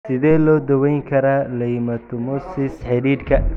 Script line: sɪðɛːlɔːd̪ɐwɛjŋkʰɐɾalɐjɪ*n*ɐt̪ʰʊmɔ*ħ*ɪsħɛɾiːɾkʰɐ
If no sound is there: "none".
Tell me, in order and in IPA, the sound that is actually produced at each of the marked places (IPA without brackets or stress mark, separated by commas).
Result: m, s